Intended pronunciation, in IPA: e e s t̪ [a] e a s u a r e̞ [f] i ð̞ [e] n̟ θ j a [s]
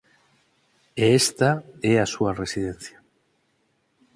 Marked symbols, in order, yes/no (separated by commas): yes, no, yes, no